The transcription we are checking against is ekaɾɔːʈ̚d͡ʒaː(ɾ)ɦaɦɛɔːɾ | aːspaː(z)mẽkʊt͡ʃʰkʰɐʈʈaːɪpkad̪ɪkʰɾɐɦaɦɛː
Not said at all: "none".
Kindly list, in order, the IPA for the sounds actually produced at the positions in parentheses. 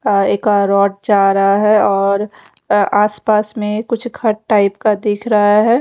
ɾ, s

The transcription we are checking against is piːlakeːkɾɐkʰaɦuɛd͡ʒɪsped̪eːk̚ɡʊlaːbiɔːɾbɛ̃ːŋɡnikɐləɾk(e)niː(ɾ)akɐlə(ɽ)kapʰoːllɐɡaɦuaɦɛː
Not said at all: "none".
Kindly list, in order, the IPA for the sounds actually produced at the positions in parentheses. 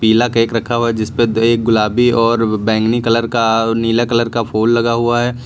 a, l, ɾ

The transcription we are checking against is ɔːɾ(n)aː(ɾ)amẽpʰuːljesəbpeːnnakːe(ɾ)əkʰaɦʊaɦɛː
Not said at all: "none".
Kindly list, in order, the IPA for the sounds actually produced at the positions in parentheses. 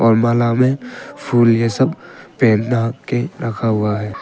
m, l, ɾ

